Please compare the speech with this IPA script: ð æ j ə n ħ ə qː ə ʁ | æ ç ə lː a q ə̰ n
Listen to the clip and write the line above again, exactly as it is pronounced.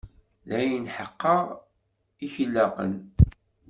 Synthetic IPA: ð æ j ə n ħ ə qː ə ʁ | i ç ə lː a q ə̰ n